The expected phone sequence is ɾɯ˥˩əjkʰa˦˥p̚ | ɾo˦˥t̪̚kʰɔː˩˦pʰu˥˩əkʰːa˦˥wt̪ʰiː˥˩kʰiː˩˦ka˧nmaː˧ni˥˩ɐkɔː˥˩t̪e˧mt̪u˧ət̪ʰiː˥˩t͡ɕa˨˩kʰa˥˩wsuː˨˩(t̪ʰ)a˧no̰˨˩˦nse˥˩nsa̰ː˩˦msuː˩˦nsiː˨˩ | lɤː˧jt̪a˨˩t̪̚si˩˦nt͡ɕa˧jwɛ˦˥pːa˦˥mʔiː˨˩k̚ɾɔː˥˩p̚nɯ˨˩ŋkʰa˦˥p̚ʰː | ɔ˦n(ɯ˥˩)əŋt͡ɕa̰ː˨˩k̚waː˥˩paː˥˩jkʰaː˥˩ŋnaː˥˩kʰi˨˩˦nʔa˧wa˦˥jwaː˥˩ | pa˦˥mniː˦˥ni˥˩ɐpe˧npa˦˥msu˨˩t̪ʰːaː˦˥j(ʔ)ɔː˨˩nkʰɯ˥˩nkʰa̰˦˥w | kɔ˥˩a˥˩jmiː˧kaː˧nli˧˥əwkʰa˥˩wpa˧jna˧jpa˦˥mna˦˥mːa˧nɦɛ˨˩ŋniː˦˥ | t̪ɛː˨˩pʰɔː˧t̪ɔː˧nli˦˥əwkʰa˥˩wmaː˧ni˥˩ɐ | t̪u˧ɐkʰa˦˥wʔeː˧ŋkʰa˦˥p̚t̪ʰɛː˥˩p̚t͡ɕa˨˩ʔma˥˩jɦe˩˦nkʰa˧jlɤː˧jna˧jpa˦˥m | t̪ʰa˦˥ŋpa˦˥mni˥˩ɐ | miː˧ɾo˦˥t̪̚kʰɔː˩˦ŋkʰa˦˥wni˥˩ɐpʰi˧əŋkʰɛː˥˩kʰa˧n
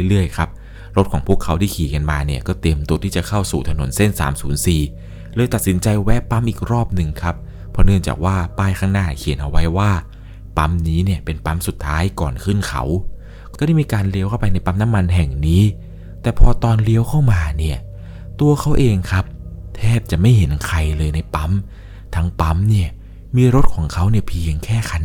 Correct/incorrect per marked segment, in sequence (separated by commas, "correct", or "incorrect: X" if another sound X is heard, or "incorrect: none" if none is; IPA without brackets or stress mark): correct, correct, incorrect: k